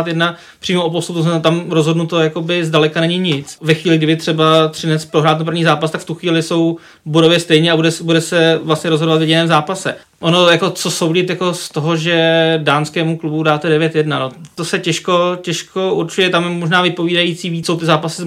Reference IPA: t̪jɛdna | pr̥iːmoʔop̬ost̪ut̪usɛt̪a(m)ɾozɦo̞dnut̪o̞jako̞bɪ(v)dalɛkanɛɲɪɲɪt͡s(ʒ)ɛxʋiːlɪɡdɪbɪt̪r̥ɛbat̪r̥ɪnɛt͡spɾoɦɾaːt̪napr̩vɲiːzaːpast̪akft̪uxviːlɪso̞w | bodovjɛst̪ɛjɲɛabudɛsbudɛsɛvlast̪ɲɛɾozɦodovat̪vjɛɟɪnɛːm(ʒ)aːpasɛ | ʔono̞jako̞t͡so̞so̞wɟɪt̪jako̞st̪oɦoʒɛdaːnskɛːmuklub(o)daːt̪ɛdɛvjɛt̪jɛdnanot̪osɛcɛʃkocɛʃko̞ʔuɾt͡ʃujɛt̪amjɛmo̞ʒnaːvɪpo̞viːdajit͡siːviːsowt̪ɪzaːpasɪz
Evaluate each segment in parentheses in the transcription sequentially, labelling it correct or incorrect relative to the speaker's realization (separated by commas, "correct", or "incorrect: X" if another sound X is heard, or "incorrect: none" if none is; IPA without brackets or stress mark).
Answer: correct, incorrect: z, incorrect: v, incorrect: z, incorrect: u